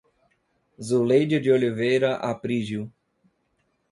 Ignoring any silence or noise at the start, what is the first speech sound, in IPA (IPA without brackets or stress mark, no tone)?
z